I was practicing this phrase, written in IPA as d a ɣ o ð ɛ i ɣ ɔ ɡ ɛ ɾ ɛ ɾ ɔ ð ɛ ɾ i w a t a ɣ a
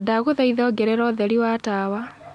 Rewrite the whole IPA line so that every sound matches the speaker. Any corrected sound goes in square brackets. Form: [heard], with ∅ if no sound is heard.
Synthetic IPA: d a ɣ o ð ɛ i [ð] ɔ ɡ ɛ ɾ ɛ ɾ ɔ ð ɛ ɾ i w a t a [w] a